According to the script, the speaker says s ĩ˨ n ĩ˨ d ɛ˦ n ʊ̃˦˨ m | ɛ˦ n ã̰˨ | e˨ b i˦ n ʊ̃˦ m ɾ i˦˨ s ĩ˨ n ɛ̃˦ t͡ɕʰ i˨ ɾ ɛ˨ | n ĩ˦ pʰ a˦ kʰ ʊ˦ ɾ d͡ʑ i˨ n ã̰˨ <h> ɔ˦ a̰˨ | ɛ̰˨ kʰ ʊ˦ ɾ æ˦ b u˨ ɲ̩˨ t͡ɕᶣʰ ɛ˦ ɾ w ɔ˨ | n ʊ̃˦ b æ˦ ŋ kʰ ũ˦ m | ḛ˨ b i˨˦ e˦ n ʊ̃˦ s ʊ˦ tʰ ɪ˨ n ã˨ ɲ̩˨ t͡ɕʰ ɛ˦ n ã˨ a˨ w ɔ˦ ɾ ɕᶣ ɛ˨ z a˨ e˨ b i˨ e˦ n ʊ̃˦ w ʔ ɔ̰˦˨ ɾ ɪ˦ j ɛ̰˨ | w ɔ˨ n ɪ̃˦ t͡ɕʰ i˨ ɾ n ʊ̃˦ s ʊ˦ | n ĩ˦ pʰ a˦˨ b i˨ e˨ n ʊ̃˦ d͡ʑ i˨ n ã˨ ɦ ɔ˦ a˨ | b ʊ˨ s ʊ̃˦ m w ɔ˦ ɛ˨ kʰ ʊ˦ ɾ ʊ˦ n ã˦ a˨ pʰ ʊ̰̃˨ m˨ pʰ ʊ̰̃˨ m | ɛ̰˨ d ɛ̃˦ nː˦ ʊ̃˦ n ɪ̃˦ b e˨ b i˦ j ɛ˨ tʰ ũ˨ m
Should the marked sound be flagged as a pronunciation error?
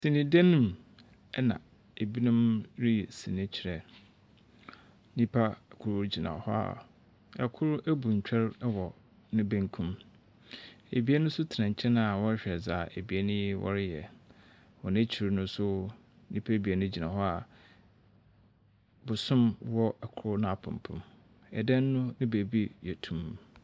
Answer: no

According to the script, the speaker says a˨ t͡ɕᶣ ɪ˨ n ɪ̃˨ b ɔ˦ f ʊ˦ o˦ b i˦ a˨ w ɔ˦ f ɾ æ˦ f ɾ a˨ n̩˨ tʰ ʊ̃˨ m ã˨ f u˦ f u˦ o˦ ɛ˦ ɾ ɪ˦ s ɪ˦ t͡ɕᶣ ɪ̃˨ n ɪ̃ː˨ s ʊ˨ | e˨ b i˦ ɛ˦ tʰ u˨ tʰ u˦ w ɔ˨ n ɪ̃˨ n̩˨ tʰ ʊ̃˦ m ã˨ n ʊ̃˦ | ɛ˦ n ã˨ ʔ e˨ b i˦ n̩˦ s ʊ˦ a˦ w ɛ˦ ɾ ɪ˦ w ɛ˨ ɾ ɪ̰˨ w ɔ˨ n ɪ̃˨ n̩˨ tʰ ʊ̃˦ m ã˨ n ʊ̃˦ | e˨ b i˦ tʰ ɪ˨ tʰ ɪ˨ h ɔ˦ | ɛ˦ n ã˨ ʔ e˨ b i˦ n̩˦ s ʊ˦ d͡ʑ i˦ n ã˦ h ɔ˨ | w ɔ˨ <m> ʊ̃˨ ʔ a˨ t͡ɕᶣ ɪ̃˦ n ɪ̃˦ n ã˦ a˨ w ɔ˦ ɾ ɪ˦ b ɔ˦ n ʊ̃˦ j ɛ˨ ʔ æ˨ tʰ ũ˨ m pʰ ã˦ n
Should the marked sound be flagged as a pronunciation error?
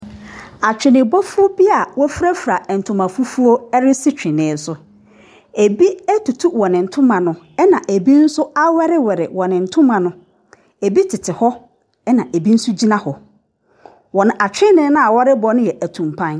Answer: yes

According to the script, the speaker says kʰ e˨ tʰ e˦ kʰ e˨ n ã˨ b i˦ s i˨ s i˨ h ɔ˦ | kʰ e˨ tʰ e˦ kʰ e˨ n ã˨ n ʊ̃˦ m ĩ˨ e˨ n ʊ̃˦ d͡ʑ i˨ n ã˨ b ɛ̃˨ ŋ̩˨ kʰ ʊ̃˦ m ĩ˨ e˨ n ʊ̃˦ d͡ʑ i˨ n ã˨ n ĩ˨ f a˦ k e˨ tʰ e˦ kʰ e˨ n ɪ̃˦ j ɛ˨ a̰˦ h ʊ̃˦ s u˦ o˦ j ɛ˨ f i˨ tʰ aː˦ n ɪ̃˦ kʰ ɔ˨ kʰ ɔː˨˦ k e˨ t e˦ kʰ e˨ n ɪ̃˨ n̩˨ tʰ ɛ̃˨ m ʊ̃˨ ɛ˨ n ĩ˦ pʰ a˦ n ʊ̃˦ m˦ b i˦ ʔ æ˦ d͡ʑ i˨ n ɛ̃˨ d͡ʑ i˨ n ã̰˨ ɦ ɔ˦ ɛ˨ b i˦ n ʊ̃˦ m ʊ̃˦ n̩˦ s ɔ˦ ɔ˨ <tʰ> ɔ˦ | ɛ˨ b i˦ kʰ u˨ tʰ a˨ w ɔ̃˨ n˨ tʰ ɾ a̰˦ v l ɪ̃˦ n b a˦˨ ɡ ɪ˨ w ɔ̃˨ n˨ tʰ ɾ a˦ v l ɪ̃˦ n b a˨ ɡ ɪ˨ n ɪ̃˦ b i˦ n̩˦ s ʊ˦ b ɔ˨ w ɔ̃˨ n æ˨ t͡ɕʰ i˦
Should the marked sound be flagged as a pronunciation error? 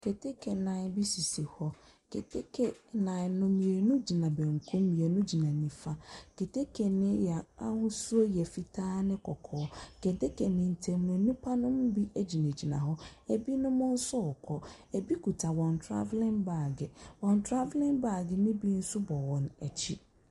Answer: yes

